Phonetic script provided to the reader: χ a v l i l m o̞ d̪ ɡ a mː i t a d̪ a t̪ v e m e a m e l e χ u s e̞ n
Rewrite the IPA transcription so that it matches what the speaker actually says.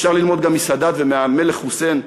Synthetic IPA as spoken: ʃ a ʁ l i l m o̞ d̪ ɡ a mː i s a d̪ a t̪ v e m e a m e l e χ u s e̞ n